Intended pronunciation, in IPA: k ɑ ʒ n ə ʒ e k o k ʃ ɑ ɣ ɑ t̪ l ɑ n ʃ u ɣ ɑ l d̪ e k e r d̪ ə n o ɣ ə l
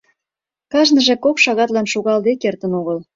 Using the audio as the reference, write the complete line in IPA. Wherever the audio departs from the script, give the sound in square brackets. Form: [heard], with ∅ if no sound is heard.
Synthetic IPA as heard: k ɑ ʒ n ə ʒ e k o k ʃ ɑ ɣ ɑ t̪ l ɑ n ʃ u ɣ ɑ l d̪ e k e r [t̪] ə n o ɣ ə l